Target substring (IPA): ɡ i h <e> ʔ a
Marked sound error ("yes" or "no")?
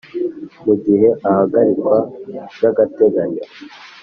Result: no